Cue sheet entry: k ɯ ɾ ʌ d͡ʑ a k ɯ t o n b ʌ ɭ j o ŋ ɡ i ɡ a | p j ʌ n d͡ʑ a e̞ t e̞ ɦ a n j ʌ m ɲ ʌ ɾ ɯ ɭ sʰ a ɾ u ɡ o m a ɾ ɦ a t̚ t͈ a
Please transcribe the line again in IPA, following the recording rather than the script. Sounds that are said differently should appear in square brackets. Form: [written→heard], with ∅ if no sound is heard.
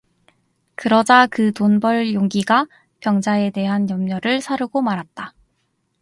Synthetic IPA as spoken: k ɯ ɾ ʌ d͡ʑ a k ɯ t o n b ʌ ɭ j o ŋ ɡ i ɡ a | p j ʌ [n→ŋ] d͡ʑ a e̞ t e̞ ɦ a n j ʌ m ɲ ʌ ɾ ɯ ɭ sʰ a ɾ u ɡ o m a ɾ ɦ a t̚ t͈ a